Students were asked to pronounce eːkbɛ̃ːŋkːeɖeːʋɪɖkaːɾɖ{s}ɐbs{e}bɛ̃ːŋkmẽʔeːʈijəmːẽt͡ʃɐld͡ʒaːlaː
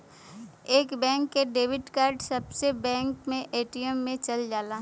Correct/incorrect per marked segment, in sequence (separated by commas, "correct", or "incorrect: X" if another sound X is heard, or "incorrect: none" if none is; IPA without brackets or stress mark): correct, correct